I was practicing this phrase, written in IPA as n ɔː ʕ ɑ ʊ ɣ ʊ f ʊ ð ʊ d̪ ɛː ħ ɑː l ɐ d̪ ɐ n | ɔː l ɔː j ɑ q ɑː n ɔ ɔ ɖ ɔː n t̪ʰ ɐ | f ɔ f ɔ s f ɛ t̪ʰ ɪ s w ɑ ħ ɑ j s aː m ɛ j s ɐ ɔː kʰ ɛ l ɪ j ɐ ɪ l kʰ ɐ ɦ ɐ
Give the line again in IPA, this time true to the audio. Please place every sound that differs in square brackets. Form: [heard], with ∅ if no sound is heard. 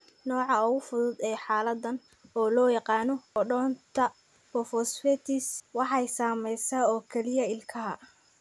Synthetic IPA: n ɔː ʕ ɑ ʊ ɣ ʊ f ʊ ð ʊ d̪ ɛː ħ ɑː l ɐ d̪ ɐ n | ɔː l ɔː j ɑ q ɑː n ɔ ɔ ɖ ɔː n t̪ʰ ɐ | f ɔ f ɔ s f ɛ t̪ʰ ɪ s w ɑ ħ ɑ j s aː m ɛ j s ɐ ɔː kʰ ɛ l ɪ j ɐ ɪ l kʰ ɐ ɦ ɐ